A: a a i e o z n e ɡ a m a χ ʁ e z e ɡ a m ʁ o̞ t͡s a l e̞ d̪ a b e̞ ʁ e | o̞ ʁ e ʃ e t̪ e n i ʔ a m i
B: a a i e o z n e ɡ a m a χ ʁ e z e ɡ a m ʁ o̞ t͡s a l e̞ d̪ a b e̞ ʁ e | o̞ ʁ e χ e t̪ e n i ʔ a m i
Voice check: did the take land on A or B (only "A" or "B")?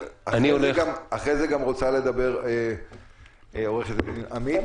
B